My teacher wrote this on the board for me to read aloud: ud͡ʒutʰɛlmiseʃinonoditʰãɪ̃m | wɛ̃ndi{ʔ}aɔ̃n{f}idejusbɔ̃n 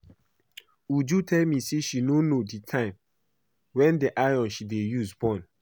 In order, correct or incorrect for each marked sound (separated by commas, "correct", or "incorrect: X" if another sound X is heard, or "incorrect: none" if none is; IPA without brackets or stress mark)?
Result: correct, incorrect: ʃ